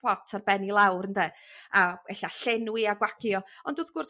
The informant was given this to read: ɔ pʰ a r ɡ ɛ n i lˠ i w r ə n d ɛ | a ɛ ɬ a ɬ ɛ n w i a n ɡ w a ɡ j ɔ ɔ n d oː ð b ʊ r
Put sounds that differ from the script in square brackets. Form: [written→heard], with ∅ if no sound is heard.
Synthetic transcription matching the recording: ɔ [pʰ→tʰ] a r [ɡ→b] ɛ n i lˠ [i→a] w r ə n d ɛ | a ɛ ɬ a ɬ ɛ n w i a [n→∅] ɡ w a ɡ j ɔ ɔ n d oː ð [b→ɡ] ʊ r